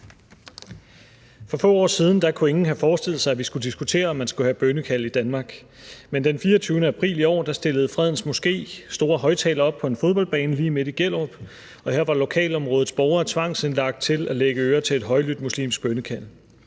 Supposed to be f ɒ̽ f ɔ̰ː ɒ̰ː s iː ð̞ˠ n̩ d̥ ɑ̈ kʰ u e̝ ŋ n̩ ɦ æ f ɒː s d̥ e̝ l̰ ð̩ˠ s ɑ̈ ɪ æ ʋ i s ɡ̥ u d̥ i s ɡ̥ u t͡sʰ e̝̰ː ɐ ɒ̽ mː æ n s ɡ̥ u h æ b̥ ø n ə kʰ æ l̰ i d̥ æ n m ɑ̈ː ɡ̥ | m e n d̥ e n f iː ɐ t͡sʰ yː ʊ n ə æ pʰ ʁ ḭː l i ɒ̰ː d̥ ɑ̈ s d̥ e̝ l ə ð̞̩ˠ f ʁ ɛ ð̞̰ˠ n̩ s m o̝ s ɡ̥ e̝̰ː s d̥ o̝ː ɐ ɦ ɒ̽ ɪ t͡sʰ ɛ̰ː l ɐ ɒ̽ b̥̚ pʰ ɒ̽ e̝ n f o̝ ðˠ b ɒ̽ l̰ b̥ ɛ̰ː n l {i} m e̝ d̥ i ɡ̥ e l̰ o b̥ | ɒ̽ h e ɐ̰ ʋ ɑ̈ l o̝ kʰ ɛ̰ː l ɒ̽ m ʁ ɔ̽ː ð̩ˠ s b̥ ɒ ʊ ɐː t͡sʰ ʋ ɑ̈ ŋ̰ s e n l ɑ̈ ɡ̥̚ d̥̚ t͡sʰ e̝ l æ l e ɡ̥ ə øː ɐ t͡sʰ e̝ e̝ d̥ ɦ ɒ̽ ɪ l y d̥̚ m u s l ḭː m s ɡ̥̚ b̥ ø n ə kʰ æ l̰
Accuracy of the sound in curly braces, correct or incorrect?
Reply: incorrect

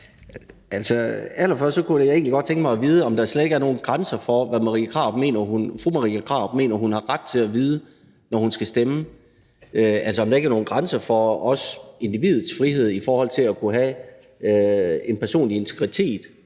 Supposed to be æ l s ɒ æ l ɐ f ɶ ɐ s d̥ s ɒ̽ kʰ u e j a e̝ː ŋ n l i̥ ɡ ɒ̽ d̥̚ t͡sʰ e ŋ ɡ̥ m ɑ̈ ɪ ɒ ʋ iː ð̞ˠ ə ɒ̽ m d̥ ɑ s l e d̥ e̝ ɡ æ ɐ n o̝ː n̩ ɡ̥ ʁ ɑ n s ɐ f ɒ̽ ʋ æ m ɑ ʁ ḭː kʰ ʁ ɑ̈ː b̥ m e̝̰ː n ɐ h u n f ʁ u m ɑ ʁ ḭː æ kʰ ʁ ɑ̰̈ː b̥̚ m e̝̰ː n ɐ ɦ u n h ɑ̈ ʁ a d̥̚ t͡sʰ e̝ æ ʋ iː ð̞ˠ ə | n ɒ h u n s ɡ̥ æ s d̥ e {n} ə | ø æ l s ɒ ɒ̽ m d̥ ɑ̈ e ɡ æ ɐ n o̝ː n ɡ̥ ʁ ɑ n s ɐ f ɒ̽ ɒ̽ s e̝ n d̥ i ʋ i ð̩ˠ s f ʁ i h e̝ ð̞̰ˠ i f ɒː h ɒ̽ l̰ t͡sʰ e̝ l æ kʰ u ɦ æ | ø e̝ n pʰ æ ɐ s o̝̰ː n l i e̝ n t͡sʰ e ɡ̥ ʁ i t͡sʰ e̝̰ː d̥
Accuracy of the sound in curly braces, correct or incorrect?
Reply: incorrect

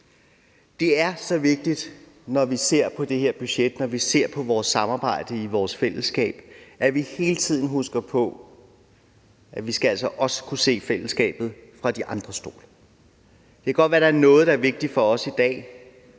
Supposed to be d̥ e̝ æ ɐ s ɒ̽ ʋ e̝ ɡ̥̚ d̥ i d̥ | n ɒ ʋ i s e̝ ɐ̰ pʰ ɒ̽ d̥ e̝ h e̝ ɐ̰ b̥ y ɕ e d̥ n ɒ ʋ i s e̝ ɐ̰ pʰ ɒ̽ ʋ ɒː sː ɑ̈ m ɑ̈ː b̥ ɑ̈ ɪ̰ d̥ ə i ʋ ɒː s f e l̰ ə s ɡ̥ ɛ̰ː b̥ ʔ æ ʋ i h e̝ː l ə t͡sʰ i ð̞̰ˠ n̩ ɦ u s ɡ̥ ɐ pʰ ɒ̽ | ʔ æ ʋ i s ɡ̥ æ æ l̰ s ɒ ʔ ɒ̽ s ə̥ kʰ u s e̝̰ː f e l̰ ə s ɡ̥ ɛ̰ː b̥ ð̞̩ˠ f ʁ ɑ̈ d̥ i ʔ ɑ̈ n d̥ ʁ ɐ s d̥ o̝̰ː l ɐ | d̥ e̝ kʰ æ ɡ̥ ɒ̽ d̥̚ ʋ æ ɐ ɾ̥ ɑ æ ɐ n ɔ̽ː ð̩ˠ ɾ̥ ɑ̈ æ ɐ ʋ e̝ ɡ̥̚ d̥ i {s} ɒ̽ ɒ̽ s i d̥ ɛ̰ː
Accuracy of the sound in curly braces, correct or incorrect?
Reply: incorrect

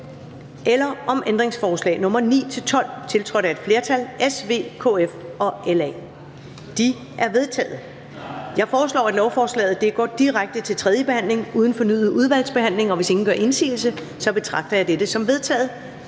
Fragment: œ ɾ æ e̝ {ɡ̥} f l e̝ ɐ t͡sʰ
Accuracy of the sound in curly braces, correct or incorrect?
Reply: incorrect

